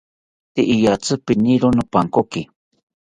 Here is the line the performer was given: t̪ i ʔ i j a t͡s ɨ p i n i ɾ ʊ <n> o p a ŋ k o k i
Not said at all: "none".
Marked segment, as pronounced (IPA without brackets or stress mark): n